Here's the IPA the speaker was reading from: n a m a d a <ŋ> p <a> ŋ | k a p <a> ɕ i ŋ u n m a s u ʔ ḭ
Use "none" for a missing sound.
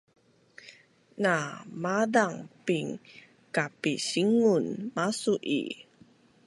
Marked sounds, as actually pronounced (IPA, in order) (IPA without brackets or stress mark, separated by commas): ŋ, i, i